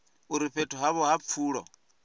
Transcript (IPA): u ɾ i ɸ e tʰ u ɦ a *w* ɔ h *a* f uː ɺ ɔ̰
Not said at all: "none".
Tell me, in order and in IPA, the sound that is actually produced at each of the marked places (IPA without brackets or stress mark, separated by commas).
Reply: β, a